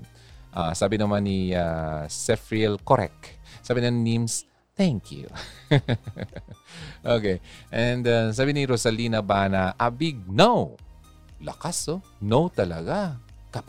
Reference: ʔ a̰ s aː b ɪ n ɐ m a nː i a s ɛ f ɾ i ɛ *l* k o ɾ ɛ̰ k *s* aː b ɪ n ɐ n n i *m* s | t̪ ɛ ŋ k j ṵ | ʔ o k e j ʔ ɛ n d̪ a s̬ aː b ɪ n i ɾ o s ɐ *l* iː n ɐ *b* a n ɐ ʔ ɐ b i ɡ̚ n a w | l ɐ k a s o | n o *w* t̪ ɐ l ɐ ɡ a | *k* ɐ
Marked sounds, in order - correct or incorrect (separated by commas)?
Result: correct, correct, correct, correct, correct, correct, correct